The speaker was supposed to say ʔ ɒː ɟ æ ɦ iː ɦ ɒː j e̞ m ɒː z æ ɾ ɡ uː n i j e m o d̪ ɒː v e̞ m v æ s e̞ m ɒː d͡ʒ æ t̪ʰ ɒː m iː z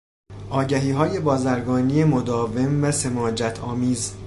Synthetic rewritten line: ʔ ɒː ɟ æ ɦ iː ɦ ɒː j e̞ b ɒː z æ ɾ ɡ ɒː n i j e m o d̪ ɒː v e̞ m v æ s e̞ m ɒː d͡ʒ æ t̪ʰ ɒː m iː z